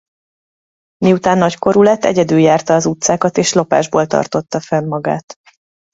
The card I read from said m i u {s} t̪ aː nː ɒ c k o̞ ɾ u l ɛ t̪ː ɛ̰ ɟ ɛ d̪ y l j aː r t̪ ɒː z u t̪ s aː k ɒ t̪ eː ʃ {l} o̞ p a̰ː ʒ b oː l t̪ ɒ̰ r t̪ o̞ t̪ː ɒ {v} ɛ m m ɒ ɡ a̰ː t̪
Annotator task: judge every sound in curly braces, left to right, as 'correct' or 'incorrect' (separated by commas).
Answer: incorrect, correct, incorrect